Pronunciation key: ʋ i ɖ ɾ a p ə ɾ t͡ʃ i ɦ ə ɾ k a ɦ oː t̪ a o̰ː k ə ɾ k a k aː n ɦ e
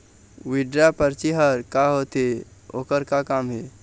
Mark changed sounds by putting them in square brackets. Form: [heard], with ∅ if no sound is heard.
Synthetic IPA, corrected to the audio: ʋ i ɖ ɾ a p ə ɾ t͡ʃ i ɦ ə ɾ k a ɦ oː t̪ [e] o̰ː k ə ɾ k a k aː [m] ɦ e